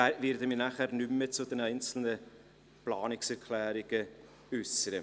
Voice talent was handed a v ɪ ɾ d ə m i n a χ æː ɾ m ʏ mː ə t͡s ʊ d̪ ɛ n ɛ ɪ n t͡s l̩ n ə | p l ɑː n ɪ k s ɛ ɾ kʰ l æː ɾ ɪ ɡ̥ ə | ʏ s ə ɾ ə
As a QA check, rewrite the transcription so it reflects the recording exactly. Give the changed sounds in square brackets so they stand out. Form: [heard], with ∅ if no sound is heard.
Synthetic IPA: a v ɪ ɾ d ə m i n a χ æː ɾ [n] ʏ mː ə t͡s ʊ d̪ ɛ n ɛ ɪ n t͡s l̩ n ə | p l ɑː n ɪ k s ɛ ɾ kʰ l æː ɾ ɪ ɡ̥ ə | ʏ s ə ɾ ə